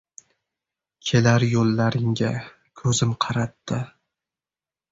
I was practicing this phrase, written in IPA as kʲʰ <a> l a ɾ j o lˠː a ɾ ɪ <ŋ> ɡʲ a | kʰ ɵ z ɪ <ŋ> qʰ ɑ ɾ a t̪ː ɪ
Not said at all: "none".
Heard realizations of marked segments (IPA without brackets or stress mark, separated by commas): e, ŋ, m